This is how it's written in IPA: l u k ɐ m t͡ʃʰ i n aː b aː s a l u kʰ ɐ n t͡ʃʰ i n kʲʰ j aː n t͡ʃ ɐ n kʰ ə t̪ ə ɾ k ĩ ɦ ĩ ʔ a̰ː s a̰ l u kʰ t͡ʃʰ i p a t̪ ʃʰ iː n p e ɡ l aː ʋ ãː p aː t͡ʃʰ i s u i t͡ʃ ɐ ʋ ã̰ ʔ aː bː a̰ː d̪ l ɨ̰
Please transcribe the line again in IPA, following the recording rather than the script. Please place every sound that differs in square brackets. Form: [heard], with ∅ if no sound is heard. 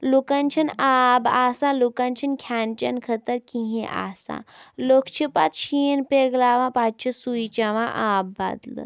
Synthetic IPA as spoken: l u k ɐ [n] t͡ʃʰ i n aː b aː s a l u [k] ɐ n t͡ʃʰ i n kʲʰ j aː n t͡ʃ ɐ n kʰ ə t̪ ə ɾ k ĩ ɦ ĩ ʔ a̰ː s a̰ l [o] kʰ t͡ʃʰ i p a t̪ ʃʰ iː n p e ɡ l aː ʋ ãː p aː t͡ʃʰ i s u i t͡ʃ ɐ ʋ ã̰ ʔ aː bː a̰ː d̪ l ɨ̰